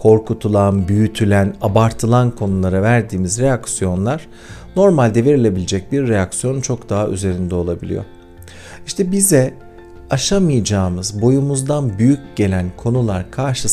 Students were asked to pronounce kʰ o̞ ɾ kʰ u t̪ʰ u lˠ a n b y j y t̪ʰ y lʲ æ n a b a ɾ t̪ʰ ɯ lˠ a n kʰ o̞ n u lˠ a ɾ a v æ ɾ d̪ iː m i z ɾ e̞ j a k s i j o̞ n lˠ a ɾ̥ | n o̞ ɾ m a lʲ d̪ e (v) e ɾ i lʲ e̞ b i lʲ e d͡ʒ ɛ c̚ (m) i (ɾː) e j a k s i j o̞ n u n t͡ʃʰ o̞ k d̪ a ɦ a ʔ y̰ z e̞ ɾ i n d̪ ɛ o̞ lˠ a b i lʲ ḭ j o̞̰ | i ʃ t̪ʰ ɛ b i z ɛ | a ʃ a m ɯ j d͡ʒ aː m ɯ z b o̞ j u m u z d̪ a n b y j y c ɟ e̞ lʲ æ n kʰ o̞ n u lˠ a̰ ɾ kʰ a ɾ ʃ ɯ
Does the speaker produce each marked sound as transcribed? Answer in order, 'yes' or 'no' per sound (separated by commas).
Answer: yes, no, yes